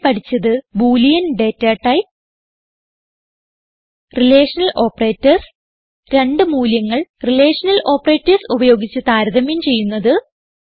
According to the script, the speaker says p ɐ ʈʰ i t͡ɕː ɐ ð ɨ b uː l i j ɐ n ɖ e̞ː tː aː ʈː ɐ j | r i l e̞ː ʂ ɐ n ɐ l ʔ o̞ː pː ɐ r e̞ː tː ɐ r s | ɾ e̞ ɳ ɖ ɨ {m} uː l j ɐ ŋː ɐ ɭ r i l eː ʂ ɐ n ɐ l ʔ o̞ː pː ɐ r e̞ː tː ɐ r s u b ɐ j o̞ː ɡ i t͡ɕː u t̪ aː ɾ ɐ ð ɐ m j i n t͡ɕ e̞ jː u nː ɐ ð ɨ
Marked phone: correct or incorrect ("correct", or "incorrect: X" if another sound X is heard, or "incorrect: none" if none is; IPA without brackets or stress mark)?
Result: correct